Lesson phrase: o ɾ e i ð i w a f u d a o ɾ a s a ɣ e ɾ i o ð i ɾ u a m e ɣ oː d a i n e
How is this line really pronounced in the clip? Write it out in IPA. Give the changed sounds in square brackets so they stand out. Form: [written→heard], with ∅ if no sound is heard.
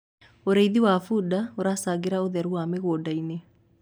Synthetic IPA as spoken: o ɾ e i ð i w a f u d a o ɾ a s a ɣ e ɾ [i→a] o ð [i→ɛ] ɾ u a m e ɣ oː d a i n e